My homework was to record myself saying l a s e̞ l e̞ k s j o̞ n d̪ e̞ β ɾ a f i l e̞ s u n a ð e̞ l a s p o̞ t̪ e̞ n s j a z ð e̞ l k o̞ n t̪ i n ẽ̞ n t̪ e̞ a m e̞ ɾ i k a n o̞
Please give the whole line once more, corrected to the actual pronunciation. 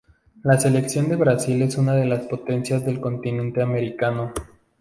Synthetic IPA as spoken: l a s e̞ l e̞ k s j o̞ n d̪ e̞ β ɾ a s i l e̞ s u n a ð e̞ l a s p o̞ t̪ e̞ n s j a z ð e̞ l k o̞ n t̪ i n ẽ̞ n t̪ e̞ a m e̞ ɾ i k a n o̞